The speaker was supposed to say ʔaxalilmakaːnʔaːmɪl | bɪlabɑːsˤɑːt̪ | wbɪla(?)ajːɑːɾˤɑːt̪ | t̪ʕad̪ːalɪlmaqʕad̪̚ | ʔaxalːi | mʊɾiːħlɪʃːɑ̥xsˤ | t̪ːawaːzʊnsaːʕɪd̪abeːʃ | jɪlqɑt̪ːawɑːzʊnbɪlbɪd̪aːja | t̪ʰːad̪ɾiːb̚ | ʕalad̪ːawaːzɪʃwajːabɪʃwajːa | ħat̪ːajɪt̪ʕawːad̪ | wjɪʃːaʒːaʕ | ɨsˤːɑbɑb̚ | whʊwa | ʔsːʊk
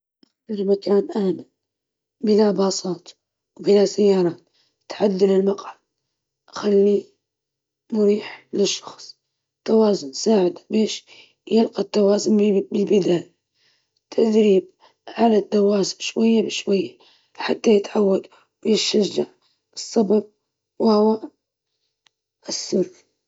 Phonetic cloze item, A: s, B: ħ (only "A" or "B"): A